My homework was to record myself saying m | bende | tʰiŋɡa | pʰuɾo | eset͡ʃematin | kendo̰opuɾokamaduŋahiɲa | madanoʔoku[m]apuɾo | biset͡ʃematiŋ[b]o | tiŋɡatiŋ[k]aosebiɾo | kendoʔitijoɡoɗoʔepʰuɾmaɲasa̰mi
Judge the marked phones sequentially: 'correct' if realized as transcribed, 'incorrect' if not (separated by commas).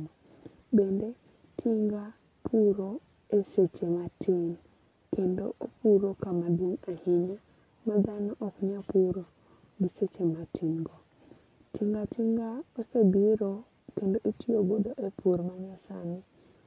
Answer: incorrect, incorrect, incorrect